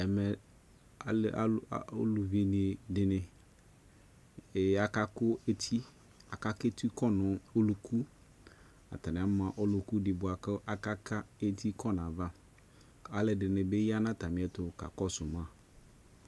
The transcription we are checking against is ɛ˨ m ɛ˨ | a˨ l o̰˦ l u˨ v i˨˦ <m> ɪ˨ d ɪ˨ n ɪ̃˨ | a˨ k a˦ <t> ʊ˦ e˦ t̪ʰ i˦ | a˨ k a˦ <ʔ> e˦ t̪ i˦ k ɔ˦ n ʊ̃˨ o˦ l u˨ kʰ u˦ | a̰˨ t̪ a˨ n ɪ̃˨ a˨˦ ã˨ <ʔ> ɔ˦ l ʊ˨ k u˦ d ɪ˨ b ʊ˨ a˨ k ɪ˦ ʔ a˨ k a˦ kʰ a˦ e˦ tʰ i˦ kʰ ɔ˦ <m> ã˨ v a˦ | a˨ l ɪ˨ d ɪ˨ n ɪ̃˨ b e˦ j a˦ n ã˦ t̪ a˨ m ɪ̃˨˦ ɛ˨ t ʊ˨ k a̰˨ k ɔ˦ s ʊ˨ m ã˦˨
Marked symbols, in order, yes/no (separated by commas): no, no, no, yes, no